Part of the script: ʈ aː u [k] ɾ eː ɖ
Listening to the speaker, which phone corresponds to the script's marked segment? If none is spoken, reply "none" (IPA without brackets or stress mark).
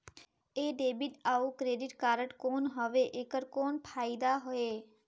k